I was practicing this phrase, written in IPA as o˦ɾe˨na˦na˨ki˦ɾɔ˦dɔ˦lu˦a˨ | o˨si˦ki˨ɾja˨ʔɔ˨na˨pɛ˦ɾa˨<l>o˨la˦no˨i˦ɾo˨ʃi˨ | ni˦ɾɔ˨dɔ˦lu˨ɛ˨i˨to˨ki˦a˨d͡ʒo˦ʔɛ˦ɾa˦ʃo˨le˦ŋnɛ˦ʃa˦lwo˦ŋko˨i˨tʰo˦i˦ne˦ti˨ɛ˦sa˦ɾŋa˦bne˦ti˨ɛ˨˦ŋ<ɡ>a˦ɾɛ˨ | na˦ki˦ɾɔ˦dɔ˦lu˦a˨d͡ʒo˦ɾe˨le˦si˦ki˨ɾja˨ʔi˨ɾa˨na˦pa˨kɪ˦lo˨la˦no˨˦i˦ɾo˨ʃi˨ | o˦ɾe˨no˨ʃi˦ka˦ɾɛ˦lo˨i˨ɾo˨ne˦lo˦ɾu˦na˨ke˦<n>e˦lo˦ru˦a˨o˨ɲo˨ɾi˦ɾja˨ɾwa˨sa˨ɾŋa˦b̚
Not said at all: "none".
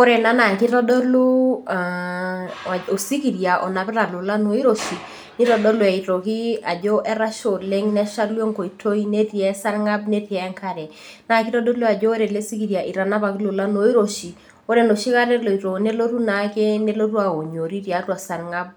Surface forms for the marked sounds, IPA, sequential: l, k, n

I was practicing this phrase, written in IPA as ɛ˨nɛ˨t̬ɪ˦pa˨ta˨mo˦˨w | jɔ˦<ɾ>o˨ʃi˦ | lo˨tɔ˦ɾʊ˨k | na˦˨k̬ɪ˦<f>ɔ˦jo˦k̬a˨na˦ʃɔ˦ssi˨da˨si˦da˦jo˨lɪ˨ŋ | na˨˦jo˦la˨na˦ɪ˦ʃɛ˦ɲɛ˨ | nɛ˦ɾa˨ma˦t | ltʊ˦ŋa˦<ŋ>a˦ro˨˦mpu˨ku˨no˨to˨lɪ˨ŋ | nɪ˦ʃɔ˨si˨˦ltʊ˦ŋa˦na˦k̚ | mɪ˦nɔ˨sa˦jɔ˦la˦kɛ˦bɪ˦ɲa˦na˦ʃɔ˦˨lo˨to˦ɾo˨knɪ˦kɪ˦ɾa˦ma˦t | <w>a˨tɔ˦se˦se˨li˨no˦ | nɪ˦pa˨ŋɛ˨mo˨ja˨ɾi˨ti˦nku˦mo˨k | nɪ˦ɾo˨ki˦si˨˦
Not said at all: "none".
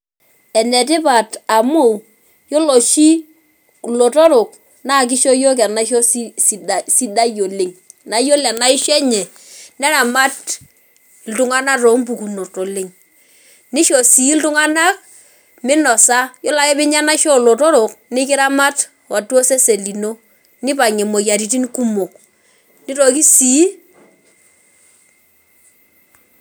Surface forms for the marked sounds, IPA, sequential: l, ʃ, n, w

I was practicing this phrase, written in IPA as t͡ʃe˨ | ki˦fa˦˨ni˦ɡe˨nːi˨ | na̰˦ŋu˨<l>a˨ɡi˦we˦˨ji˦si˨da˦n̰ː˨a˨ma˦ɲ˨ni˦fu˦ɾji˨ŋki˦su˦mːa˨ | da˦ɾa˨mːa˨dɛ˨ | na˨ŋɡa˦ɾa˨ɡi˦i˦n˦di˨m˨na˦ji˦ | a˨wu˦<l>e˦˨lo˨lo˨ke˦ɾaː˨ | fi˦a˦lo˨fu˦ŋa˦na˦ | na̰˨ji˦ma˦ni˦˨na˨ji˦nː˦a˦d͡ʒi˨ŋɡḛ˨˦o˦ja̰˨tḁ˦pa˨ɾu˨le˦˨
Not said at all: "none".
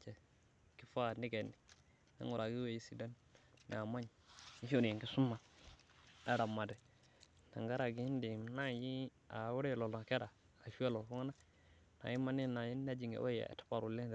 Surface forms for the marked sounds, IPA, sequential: ɾ, ɾ

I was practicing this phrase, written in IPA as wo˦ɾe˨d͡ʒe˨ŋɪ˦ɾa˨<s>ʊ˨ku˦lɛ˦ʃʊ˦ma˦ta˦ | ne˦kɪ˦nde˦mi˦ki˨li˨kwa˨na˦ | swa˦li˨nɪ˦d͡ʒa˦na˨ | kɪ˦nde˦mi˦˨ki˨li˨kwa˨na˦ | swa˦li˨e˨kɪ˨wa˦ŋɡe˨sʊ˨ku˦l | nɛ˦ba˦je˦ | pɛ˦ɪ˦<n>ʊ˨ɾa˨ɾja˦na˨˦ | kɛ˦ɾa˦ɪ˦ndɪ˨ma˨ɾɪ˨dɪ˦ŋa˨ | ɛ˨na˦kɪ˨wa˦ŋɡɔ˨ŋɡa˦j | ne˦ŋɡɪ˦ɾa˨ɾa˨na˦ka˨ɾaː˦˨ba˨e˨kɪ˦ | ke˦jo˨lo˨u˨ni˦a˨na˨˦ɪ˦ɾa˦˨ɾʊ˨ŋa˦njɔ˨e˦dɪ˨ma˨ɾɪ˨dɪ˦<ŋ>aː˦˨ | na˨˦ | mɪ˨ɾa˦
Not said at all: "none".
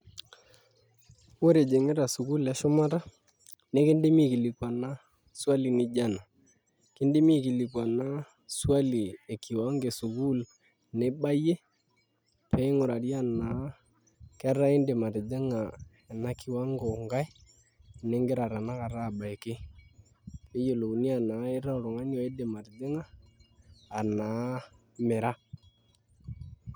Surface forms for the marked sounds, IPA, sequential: s, ŋ, ŋ

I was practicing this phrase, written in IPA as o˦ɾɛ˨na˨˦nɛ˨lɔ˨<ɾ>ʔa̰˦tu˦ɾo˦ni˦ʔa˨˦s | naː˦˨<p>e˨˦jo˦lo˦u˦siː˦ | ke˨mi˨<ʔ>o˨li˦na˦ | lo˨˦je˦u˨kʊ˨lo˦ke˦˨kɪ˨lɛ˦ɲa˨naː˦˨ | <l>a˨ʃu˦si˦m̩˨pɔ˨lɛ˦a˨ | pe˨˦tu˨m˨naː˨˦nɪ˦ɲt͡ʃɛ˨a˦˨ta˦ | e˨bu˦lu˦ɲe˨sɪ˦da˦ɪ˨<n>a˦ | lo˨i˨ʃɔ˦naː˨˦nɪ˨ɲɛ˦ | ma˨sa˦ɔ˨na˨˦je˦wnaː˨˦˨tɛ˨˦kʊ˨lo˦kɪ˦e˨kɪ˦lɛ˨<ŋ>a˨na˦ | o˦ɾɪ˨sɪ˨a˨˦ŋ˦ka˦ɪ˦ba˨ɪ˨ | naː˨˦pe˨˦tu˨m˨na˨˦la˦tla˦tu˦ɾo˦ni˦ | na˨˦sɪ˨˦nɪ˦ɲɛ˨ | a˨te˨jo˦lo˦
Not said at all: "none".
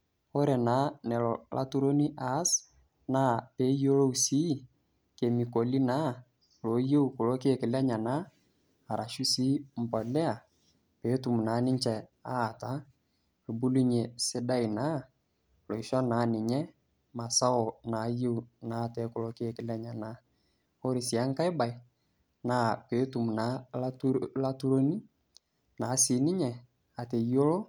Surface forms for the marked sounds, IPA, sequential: l, p, k, ɾ, n, ɲ

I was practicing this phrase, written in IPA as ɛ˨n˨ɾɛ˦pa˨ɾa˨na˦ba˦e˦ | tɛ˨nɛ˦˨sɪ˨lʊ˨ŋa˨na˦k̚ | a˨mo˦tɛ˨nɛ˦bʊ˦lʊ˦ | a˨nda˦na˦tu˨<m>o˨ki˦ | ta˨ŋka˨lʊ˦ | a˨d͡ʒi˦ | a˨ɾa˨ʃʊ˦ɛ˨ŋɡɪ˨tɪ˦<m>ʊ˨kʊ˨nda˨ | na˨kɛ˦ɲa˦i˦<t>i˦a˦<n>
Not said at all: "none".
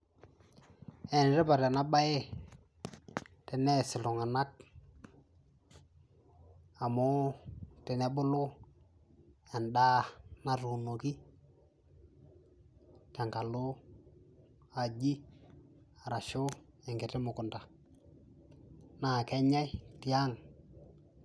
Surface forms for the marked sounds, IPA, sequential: n, m, t, ŋ

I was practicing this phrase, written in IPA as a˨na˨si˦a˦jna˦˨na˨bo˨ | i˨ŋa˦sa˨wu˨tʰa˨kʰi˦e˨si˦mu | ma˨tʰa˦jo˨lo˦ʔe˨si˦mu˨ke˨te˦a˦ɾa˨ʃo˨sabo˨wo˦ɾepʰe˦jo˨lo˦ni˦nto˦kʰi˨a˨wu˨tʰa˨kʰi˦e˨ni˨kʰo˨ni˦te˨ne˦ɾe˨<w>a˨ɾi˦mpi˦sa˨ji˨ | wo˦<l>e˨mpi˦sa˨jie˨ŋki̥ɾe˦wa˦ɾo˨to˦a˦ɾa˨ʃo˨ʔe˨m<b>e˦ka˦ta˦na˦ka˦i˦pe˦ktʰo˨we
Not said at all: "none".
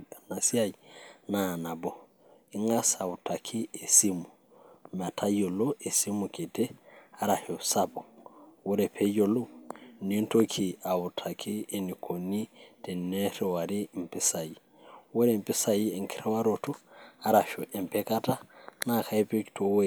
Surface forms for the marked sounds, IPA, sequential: w, ɾ, p

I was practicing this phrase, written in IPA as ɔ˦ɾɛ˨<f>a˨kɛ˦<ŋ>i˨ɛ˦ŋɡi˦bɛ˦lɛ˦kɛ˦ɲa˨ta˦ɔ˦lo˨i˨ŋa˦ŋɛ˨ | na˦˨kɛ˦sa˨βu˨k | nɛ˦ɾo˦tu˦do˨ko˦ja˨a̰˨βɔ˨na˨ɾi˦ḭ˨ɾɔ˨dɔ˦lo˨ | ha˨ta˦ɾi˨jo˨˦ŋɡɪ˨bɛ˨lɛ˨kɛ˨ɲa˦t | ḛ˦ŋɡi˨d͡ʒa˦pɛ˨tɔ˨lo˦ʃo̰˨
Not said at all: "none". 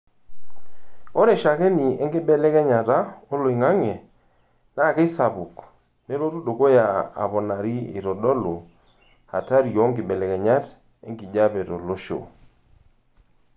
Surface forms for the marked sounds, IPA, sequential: ʃ, n

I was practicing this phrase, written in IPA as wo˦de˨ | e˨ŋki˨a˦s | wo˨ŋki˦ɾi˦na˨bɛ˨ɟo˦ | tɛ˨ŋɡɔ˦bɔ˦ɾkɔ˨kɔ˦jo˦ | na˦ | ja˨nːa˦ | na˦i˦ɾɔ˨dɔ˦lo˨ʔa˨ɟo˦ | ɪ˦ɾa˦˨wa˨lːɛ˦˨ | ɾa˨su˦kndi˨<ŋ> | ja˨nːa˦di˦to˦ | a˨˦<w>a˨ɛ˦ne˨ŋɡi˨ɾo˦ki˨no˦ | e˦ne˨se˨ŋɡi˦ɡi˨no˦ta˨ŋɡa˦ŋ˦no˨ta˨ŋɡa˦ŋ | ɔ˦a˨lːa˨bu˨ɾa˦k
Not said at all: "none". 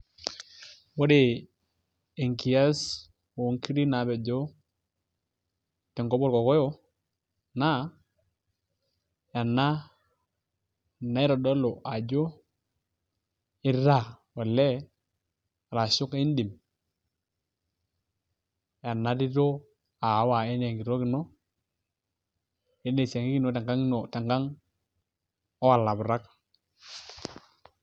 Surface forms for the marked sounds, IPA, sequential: m, w

